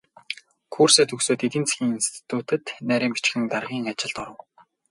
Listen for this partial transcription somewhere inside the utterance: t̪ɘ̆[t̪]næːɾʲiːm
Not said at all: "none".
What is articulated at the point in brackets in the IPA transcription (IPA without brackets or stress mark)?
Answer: t̪